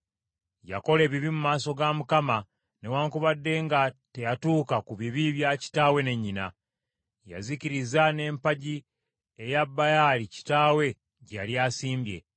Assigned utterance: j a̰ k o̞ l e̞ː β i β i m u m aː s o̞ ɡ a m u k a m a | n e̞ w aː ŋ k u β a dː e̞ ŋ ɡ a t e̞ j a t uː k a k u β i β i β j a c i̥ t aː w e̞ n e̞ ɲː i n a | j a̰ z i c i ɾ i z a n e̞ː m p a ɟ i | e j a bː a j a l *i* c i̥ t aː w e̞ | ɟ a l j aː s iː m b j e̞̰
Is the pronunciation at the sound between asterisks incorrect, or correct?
correct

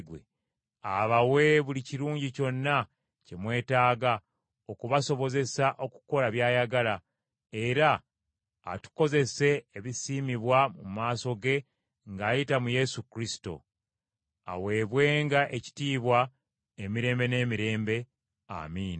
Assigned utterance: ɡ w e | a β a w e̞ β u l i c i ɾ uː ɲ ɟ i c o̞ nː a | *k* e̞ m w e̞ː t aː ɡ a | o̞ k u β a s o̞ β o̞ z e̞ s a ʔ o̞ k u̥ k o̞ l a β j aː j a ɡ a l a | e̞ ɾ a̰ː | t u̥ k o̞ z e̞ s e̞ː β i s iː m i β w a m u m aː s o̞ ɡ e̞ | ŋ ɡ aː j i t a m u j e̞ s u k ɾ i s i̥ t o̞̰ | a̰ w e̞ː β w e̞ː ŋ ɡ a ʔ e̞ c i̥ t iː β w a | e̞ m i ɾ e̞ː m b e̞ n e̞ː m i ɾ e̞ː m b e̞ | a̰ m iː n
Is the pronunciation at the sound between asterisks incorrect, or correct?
incorrect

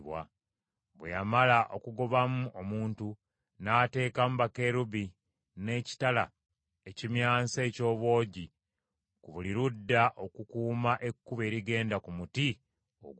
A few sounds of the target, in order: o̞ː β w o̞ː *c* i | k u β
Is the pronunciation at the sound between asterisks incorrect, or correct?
incorrect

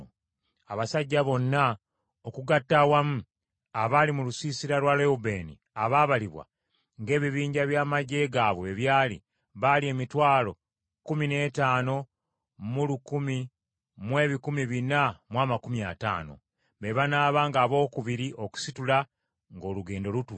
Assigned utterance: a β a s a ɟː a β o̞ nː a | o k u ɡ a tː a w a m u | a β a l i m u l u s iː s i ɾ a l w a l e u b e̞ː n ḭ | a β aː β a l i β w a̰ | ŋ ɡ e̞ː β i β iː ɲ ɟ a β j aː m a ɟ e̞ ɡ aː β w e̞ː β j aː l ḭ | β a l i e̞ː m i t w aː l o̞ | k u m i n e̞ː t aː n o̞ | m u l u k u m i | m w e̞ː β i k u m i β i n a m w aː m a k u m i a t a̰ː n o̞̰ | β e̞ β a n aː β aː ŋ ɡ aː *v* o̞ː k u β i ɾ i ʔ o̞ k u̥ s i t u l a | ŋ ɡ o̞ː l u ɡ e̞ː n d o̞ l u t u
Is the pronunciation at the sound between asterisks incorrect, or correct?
incorrect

